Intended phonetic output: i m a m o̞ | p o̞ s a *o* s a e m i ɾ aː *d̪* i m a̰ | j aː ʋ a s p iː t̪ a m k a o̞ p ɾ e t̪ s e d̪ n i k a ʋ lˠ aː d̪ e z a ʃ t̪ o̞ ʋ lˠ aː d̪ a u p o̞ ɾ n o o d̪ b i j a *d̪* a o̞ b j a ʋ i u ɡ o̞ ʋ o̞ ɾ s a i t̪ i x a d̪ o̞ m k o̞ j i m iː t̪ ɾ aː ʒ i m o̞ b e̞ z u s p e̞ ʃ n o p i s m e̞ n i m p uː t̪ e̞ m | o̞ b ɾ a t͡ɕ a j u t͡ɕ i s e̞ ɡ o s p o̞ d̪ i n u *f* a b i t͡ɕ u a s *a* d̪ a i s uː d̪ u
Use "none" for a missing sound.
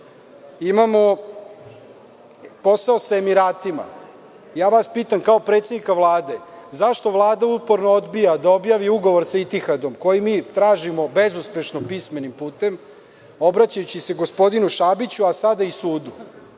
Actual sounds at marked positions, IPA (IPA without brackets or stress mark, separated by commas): o, t̪, d̪, ʃ, a